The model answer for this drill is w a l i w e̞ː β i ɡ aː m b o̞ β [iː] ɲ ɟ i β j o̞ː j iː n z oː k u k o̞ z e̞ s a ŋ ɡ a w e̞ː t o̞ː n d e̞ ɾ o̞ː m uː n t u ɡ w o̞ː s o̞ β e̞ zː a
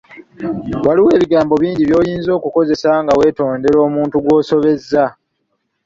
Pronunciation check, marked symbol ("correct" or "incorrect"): correct